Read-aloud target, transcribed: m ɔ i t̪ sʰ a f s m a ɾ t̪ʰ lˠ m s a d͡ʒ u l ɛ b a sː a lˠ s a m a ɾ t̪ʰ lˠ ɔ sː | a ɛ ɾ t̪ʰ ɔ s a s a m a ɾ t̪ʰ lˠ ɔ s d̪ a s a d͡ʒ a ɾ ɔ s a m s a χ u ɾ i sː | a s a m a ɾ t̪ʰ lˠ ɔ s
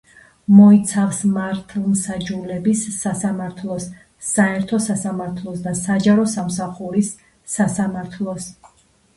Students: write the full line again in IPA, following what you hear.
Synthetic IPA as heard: m ɔ i t̪ sʰ a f s m a ɾ t̪ʰ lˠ m s a d͡ʒ u l ɛ b i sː a s a m a ɾ t̪ʰ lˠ ɔ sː | a ɛ ɾ t̪ʰ ɔ s a s a m a ɾ t̪ʰ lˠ ɔ s d̪ a s a d͡ʒ a ɾ ɔ s a m s a χ u ɾ i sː | a s a m a ɾ t̪ʰ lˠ ɔ s